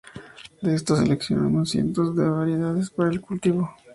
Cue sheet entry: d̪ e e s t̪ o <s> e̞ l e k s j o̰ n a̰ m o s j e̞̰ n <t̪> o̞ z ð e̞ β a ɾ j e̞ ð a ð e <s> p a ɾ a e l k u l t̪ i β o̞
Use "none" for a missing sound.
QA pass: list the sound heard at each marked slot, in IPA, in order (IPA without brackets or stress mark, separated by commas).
s, t̪, s